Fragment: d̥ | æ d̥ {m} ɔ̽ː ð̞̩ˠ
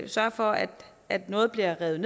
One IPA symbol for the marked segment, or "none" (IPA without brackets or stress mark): n